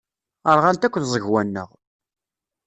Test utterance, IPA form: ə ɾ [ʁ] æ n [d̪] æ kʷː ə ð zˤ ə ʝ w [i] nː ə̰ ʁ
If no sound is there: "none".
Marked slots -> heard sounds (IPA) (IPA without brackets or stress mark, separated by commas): ʁ, t̪, æ